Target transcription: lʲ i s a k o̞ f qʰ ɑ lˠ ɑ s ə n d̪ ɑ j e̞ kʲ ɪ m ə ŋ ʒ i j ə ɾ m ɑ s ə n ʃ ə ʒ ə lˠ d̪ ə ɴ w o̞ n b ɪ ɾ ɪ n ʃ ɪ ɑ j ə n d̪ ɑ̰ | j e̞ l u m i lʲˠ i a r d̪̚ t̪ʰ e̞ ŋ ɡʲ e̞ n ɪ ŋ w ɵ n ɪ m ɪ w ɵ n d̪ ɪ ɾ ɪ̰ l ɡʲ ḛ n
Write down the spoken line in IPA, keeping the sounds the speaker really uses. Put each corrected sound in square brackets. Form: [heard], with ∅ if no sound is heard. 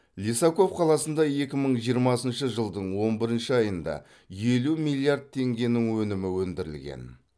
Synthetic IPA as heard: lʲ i s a k o̞ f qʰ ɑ lˠ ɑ s ə n d̪ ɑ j e̞ kʲ ɪ m ə [ɴ] ʒ i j ə ɾ m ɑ s ə n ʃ ə ʒ ə lˠ d̪ ə ɴ w o̞ n b ɪ ɾ ɪ n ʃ ɪ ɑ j ə n d̪ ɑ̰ | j e̞ l u m i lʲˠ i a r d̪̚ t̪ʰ e̞ ŋ ɡʲ e̞ n ɪ ŋ w ɵ n ɪ m ɪ w ɵ n d̪ ɪ ɾ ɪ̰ l ɡʲ ḛ n